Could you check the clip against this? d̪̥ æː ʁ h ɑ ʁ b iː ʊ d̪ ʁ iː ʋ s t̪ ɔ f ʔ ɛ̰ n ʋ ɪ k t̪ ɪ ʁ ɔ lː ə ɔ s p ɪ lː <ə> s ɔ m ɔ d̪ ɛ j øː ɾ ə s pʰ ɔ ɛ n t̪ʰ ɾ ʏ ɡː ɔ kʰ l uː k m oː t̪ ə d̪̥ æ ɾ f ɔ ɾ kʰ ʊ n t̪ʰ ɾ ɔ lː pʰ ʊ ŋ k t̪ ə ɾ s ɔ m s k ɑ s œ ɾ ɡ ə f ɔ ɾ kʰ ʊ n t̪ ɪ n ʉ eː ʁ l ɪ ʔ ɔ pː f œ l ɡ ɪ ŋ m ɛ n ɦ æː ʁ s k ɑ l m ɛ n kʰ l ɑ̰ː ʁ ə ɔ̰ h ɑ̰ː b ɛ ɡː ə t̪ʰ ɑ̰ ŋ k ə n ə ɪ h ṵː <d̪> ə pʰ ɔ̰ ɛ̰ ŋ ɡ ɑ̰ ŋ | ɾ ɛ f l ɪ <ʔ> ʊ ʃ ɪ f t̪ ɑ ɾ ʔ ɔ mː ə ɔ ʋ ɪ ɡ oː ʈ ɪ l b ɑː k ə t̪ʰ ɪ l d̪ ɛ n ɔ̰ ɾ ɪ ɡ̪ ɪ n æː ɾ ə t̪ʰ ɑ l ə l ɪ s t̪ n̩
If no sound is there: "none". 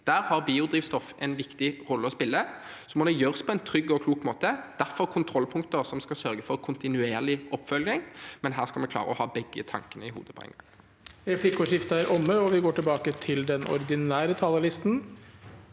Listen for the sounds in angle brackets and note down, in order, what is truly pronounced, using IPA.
ə, d̪, k

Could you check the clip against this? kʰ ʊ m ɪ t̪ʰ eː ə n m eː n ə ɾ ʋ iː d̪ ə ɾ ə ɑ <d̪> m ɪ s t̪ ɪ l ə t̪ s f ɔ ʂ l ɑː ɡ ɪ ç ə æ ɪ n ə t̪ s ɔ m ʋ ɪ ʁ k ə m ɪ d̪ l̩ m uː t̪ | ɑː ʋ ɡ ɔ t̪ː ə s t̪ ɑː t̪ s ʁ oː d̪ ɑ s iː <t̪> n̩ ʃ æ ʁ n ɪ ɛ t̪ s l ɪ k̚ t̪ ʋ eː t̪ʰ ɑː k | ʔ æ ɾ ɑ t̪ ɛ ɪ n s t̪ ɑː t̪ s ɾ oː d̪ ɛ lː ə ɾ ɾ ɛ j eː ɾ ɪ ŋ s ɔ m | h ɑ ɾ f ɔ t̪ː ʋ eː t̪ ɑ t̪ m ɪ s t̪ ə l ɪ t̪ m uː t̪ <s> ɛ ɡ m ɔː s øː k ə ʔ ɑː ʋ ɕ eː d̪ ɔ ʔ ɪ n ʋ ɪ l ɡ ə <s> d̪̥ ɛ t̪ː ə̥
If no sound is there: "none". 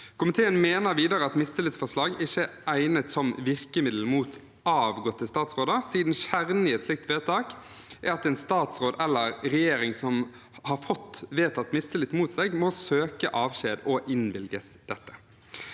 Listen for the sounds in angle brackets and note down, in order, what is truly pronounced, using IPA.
t̪, d̪, s, s

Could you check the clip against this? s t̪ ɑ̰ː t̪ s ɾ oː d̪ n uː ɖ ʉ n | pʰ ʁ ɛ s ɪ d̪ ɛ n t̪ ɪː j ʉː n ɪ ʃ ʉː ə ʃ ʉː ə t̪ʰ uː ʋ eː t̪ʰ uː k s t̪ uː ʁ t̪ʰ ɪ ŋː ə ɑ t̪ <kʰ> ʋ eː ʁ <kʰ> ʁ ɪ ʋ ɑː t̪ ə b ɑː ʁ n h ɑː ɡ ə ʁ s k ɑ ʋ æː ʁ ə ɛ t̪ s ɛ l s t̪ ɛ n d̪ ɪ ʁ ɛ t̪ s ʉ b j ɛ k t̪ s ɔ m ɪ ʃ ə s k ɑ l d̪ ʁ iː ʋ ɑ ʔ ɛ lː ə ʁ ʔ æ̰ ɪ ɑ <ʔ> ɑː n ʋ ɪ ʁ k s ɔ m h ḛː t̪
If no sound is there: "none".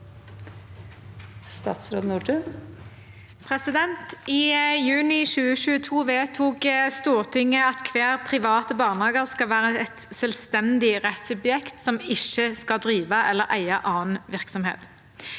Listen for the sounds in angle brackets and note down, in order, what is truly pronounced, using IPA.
kʰ, pʰ, ʔ

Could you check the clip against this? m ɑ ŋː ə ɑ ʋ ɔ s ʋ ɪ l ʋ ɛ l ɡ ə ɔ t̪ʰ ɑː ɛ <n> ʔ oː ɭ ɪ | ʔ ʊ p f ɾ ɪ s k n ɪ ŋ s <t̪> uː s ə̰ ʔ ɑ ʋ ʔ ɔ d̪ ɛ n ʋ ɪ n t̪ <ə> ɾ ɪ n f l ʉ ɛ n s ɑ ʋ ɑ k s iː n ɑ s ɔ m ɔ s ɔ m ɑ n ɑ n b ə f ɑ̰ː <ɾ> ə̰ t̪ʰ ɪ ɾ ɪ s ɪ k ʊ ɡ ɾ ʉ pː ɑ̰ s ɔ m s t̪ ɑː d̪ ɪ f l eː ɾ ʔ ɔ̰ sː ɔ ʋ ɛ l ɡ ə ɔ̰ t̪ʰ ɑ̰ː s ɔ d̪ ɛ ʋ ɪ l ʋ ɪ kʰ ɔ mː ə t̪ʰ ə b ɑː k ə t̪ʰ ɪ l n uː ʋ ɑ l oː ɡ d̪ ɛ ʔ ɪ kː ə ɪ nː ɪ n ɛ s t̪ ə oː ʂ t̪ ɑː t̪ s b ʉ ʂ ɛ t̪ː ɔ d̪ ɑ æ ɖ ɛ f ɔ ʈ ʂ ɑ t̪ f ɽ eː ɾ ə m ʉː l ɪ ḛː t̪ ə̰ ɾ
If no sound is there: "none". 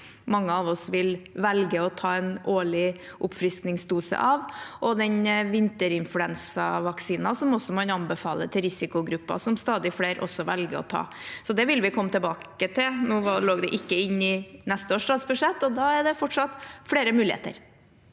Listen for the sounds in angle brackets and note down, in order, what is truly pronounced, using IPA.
n, d̪, ə, l

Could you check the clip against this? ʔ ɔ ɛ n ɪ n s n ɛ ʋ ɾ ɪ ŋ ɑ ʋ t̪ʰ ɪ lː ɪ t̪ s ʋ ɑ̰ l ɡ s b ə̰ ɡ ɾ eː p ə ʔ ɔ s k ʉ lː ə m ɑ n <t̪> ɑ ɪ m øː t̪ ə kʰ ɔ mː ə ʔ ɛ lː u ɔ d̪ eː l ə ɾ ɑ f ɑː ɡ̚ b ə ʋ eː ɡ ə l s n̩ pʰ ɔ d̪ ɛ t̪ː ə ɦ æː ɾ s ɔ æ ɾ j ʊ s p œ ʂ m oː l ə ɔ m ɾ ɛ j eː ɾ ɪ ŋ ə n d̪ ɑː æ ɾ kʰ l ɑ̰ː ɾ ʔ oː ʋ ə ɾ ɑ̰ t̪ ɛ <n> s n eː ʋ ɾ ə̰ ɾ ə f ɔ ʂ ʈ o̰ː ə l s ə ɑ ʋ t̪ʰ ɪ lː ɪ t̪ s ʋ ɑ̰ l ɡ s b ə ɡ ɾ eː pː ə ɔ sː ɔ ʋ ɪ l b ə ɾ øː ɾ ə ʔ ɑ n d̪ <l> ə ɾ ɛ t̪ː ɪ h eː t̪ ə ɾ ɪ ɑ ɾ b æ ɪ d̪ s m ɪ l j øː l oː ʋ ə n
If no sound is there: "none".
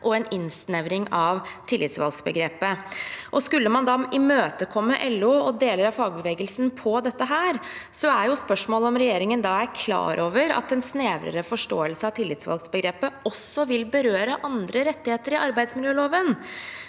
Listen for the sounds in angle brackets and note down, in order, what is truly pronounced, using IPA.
d̪, n, ɾ

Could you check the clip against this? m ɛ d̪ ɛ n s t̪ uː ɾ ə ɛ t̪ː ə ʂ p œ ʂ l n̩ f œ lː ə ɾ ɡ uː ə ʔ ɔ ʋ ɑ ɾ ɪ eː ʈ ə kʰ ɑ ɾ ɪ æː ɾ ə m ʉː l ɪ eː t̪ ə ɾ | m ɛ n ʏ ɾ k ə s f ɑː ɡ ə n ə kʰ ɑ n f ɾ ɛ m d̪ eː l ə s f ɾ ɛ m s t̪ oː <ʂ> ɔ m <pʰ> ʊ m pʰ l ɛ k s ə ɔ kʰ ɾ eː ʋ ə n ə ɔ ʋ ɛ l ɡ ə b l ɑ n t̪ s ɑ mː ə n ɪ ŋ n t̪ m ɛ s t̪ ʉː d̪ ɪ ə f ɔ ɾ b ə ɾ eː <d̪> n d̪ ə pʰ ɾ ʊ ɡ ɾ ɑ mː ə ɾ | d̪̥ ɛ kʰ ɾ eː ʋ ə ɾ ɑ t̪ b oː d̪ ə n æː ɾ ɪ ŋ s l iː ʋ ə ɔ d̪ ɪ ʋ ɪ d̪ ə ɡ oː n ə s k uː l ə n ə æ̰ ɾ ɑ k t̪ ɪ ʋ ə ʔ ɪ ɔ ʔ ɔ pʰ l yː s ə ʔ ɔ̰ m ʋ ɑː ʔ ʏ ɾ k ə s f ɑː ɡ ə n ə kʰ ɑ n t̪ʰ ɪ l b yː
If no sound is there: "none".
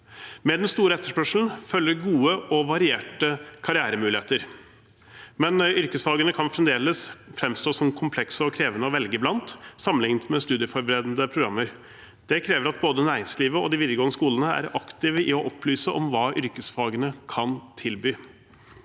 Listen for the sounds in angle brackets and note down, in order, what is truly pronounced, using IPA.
s, kʰ, d̪

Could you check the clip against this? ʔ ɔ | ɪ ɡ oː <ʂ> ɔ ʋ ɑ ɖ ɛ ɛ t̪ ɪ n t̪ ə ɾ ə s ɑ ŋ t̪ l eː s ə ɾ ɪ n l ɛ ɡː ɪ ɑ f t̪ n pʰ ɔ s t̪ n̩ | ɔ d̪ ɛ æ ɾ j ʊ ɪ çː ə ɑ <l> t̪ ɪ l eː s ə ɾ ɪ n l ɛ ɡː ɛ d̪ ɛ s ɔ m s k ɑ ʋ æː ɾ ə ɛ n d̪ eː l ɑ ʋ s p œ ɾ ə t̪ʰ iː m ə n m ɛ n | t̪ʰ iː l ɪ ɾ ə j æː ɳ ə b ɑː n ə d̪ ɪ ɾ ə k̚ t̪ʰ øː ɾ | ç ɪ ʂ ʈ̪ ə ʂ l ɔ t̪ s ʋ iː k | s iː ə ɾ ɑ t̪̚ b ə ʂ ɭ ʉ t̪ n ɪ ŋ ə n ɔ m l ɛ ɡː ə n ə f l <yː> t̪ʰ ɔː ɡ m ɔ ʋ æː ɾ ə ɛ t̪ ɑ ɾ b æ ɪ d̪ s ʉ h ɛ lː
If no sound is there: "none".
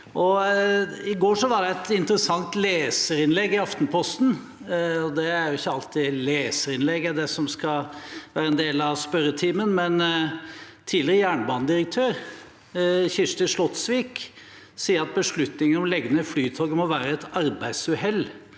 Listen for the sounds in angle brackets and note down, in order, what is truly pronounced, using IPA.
ʂ, l, yː

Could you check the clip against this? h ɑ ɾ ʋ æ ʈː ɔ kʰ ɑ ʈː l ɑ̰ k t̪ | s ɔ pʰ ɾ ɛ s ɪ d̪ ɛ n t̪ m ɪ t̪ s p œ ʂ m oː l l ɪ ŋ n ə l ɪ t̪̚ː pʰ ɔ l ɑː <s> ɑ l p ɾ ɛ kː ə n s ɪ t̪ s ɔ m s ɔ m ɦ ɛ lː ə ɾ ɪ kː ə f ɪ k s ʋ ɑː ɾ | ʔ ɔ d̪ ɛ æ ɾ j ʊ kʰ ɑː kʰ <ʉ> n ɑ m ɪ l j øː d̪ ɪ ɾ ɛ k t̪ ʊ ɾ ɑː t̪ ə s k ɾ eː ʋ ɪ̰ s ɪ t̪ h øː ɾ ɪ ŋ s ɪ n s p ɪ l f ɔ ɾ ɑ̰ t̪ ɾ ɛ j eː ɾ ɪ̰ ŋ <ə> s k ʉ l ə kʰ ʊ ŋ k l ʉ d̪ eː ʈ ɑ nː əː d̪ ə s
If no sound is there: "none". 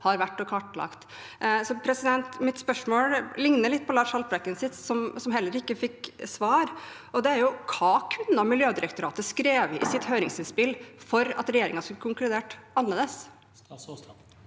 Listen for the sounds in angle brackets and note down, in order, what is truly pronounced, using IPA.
ʂ, ʉ, ɑ

